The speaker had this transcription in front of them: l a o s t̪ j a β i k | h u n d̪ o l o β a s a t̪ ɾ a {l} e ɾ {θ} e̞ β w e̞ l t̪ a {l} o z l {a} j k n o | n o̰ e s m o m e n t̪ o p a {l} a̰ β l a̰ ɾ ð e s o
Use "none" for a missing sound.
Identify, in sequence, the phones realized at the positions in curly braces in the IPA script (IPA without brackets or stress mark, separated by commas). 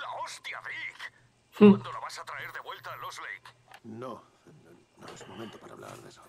none, ð, l, e, ɾ